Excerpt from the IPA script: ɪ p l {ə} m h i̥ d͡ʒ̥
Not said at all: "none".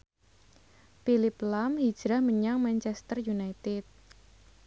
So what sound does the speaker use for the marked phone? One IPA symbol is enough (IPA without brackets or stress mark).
a